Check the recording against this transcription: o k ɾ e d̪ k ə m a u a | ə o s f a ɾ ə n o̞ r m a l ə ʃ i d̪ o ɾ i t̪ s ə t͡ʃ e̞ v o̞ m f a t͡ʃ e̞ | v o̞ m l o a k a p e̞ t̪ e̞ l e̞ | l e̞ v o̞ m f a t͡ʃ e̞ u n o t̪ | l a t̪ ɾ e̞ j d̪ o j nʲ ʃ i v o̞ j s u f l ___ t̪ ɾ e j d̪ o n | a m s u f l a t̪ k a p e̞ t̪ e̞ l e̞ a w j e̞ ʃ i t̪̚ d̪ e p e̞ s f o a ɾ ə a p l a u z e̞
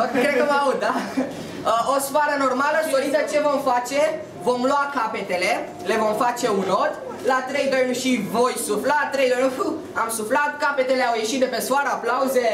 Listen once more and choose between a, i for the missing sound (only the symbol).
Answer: a